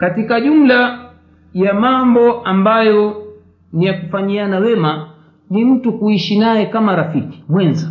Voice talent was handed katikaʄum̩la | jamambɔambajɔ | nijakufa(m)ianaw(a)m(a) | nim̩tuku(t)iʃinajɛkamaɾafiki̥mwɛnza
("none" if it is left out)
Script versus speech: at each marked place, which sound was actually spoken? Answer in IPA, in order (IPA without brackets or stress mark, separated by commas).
ɲ, ɛ, a, none